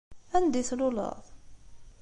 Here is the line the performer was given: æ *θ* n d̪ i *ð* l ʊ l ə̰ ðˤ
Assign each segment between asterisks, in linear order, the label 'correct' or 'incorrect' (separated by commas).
incorrect, incorrect